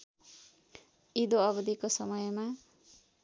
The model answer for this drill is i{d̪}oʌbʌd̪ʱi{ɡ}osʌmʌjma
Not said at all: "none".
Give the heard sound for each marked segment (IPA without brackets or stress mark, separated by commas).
d̪, k